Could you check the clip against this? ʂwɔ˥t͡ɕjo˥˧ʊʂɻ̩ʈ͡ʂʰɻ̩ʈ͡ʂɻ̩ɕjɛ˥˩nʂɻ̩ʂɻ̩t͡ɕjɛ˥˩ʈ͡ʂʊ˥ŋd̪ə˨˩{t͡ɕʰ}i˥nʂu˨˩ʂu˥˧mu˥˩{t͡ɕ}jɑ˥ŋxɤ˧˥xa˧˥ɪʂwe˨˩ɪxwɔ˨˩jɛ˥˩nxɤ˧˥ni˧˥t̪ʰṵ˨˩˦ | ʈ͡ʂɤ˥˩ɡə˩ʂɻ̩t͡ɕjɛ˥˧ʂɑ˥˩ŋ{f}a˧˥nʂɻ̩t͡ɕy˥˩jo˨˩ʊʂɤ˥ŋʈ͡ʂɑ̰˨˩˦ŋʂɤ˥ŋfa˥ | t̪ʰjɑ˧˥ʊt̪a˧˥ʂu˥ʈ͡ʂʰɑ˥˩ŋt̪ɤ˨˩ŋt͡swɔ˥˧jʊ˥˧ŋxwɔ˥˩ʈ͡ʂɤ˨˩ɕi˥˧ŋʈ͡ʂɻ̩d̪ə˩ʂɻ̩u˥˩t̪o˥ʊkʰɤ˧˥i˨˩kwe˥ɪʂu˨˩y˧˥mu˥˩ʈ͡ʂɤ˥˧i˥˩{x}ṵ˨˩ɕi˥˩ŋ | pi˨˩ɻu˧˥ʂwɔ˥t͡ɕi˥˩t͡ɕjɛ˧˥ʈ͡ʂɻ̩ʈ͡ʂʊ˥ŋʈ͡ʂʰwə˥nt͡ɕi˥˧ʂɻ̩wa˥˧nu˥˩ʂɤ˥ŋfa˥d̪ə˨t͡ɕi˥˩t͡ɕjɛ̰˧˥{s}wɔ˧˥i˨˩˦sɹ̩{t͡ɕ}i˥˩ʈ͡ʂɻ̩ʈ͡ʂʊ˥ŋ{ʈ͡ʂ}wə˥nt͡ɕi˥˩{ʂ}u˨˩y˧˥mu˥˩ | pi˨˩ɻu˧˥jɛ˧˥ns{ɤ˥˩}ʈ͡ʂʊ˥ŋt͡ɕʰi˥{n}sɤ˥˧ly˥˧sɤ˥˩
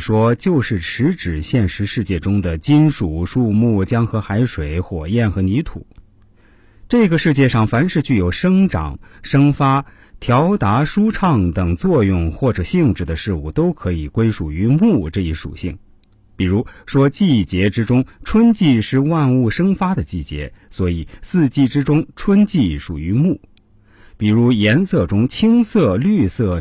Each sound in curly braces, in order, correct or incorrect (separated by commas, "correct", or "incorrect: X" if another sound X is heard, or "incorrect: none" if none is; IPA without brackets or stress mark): incorrect: t͡ɕ, correct, correct, incorrect: ʂ, correct, correct, incorrect: ʈ͡ʂʰ, correct, correct, incorrect: ŋ